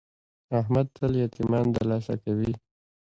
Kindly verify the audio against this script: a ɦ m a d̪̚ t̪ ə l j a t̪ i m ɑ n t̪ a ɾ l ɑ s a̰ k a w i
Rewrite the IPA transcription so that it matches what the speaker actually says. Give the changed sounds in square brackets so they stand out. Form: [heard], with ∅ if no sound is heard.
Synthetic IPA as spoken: a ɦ m a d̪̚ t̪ ə l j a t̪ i m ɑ n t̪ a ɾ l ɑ s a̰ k a w i

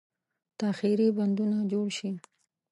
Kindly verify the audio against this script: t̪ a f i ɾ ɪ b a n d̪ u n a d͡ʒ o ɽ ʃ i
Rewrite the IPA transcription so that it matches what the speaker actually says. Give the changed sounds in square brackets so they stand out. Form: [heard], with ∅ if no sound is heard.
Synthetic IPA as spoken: t̪ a [x] i ɾ [i] b a n d̪ u n a d͡ʒ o ɽ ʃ i

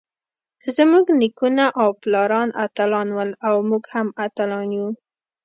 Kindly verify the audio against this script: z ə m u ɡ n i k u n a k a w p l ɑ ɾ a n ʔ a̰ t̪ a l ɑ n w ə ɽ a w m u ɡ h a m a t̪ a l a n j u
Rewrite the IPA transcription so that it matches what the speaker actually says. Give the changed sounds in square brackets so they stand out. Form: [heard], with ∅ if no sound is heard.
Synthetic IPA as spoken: z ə m u ɡ n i k u n a [ʔ] a w p l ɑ ɾ [ɑ] n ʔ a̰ t̪ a l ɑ n w ə [l] a w m u ɡ h a m a t̪ a l [ɑ] n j u

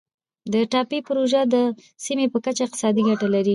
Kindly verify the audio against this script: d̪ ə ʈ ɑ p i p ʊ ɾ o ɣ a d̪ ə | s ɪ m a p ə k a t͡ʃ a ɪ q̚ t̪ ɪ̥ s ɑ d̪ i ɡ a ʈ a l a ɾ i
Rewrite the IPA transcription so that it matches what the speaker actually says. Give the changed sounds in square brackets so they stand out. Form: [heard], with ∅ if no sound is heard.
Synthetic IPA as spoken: d̪ ə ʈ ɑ p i p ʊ ɾ o [ʒ] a d̪ ə | s [i] m [e] p ə k a t͡ʃ a ɪ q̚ t̪ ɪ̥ s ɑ d̪ i ɡ a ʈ a l a ɾ i

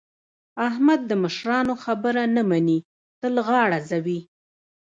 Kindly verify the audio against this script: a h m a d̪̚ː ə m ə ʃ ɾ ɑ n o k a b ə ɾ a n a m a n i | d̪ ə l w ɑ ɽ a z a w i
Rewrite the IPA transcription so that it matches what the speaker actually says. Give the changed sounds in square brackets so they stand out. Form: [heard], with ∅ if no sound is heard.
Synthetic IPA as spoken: a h m a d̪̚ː ə m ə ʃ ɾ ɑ n o [x] a b ə ɾ a n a m a n i | [t̪] ə l [ɣ] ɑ ɽ a z a w i

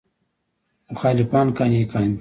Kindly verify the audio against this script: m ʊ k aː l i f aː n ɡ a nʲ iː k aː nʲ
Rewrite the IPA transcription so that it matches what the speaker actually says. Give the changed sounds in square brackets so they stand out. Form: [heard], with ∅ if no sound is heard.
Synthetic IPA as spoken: m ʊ [x] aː l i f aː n [k] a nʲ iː k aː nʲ

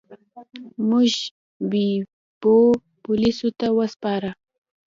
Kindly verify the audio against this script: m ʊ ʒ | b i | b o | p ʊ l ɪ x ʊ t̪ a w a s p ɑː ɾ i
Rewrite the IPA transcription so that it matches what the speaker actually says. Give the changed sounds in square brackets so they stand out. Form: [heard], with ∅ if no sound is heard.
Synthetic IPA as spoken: m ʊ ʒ | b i | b o | p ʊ l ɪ [s] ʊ t̪ a w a s p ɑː ɾ [a]

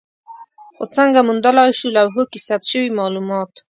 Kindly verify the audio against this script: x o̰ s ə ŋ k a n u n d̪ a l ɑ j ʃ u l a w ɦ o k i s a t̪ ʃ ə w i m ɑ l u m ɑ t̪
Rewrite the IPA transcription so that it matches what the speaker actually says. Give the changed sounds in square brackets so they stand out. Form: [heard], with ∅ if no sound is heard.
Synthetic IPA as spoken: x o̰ [t͡s] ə ŋ [ɡ] a [m] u n d̪ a l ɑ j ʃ u l a w ɦ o k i s a t̪ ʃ ə w i m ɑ l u m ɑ t̪

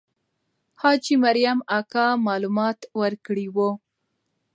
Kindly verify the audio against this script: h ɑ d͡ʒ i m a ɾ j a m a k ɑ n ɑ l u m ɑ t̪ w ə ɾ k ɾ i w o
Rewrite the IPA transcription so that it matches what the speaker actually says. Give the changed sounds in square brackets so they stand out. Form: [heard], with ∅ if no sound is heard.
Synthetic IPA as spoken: h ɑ d͡ʒ i m a ɾ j a m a k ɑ [m] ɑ l u m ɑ t̪ w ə ɾ k [ɽ] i w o

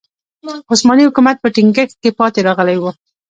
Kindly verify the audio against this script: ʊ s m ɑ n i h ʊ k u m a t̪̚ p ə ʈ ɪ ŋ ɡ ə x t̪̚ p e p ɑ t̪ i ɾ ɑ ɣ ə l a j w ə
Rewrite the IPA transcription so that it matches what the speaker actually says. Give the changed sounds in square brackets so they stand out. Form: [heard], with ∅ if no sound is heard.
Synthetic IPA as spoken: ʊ s m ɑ n i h ʊ k u m a t̪̚ p ə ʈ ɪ ŋ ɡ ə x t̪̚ [k] e p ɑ t̪ [e] ɾ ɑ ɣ ə l a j w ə

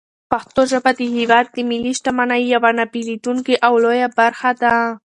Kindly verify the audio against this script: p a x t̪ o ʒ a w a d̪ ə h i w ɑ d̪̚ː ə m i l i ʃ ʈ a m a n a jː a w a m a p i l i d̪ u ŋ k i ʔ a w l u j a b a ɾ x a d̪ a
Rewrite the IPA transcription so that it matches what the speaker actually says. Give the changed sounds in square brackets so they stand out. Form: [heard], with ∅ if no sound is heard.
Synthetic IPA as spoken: p a x t̪ o ʒ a [b] a d̪ ə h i w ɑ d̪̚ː ə m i l i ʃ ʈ a m a n a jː a w a [n] a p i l i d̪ u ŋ k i ʔ a w l [o] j a b a ɾ x a d̪ a

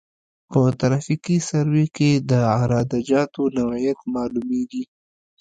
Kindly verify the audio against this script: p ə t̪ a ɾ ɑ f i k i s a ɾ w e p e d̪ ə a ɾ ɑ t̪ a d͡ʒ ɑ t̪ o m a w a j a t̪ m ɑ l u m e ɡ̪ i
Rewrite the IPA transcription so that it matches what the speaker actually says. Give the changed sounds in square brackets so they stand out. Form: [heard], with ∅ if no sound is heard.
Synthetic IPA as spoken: p ə t̪ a ɾ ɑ f i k i s a ɾ w e [k] e d̪ ə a ɾ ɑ [d̪] a d͡ʒ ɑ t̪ o [n] a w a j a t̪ m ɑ l u m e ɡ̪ i

